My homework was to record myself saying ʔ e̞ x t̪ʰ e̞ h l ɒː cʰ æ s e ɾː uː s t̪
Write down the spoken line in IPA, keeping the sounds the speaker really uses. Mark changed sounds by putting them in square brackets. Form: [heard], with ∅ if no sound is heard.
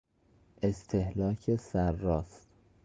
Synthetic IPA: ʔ e̞ [s] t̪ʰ e̞ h l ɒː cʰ [e] s [æ] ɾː [ɒː] s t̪